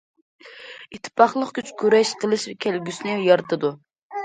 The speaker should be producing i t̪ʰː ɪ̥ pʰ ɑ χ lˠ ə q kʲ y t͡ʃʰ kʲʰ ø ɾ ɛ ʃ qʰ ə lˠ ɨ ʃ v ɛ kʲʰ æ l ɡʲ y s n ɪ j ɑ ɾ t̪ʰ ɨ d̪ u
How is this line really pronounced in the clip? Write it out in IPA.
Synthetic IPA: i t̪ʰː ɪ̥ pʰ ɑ χ lˠ ə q kʲ y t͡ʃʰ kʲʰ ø ɾ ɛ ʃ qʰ ə lˠ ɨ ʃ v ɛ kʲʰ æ l ɡʲ y s n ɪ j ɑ ɾ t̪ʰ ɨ d̪ u